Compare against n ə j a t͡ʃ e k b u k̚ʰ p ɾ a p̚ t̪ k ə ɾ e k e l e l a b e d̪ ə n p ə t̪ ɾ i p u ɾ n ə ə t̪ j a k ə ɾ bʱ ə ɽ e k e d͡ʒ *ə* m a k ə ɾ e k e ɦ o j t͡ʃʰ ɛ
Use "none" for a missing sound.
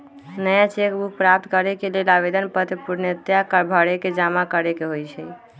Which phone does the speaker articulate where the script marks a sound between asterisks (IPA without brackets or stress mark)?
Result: a